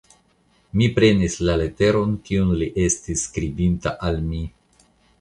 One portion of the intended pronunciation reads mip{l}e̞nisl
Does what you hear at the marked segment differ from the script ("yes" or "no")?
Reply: yes